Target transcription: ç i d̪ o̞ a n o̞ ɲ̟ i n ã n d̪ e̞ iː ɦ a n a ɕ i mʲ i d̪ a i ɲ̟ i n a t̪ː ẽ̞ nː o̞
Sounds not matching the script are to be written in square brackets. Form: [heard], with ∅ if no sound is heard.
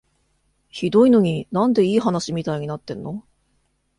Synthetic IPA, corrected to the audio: ç i d̪ o̞ [i] n o̞ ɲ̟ i n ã n d̪ e̞ iː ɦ a n a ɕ i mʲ i [t̪] a i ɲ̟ i n a t̪ː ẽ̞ nː o̞